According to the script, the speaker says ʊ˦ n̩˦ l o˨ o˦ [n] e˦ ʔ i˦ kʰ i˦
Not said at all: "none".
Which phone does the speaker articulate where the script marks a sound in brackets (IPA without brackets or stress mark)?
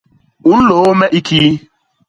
m